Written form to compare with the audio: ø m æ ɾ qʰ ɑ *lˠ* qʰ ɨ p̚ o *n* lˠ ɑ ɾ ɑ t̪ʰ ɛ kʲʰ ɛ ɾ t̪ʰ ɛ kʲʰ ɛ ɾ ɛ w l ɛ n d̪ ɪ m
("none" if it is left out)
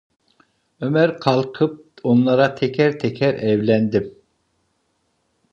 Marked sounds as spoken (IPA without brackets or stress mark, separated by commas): lˠ, n